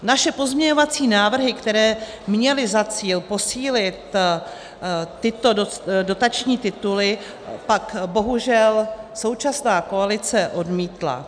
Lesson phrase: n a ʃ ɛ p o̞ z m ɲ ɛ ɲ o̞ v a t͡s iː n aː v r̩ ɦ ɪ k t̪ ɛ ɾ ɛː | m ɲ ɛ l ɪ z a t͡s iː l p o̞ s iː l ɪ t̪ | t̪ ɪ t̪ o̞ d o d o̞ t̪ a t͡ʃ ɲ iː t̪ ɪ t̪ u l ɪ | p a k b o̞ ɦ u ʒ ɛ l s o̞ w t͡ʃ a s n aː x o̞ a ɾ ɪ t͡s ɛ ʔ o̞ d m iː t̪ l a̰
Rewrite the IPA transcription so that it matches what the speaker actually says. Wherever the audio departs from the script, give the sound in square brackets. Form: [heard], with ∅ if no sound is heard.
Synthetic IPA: n a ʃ ɛ p o̞ z m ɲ ɛ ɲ o̞ v a t͡s iː n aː v r̩ ɦ ɪ k t̪ ɛ ɾ ɛː | m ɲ ɛ l ɪ z a t͡s iː l p o̞ s iː l ɪ t̪ | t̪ ɪ t̪ o̞ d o d o̞ t̪ a t͡ʃ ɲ iː t̪ ɪ t̪ u l ɪ | p a k b o̞ ɦ u ʒ ɛ l s o̞ w t͡ʃ a s n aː [k] o̞ a [l] ɪ t͡s ɛ ʔ o̞ d m iː t̪ l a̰